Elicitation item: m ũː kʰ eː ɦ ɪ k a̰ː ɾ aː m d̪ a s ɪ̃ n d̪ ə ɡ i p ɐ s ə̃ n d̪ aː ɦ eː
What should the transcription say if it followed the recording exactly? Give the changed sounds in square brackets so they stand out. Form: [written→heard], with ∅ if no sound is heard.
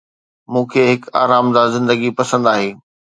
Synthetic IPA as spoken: m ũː kʰ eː ɦ ɪ k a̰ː ɾ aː m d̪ a [s→z] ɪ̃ n d̪ ə ɡ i p ɐ s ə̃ n d̪ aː ɦ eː